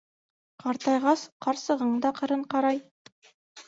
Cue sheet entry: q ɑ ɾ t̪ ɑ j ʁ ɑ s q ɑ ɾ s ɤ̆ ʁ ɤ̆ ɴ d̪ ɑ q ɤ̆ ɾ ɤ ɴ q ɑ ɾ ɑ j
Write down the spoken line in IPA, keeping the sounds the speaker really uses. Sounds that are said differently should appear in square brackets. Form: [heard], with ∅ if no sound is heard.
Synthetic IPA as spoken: q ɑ ɾ t̪ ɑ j ʁ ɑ s q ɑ ɾ s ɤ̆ ʁ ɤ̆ ɴ d̪ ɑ q ɤ̆ ɾ ɤ ɴ q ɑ ɾ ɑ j